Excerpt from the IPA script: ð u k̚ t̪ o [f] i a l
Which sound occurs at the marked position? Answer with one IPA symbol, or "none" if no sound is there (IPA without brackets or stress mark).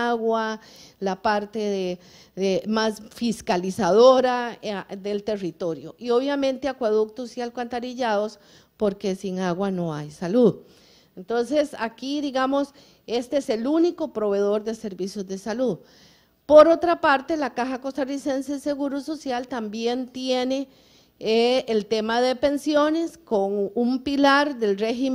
s